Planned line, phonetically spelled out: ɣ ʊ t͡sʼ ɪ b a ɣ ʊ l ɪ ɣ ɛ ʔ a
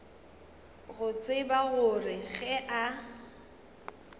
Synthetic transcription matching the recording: ɣ ʊ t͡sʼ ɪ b a ɣ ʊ r ɪ ɣ ɛ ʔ a